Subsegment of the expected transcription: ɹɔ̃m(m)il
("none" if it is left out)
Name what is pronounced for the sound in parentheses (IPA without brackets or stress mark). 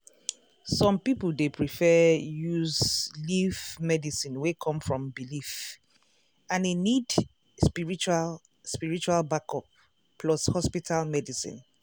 b